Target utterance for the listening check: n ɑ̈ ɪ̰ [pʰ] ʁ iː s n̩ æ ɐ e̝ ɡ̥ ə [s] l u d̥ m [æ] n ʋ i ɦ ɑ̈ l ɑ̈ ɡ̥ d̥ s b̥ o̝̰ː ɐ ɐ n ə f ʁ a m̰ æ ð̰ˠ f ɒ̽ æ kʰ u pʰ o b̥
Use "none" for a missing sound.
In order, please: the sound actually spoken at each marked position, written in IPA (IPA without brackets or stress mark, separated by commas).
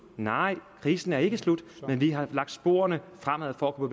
kʰ, s, e